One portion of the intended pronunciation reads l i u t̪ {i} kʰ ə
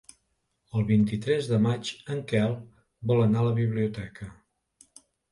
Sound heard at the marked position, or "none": ɛ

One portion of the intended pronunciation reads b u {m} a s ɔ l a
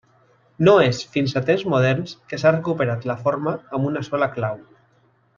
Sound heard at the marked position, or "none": n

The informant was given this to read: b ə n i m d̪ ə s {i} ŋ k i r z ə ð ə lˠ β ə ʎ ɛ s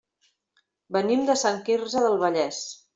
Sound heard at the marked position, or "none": a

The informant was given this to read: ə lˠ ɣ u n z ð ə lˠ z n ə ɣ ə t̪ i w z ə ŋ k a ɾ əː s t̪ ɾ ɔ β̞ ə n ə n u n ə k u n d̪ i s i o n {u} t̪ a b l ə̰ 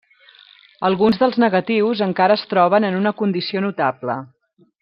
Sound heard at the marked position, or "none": u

